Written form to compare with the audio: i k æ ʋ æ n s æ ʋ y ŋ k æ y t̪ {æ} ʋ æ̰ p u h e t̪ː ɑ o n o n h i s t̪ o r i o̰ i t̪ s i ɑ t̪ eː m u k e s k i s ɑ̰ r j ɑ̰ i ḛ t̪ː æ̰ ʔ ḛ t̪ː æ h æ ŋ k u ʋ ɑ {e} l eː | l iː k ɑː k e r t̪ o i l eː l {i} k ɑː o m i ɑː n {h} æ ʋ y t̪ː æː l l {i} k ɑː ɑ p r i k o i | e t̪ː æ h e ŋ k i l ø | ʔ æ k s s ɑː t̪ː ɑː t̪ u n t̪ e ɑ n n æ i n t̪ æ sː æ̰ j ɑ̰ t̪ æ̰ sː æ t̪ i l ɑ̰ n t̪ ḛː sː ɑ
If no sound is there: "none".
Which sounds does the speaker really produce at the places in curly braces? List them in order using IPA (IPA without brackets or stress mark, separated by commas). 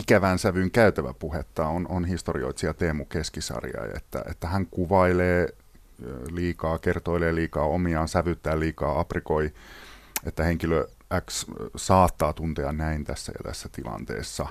æ, i, iː, s, iː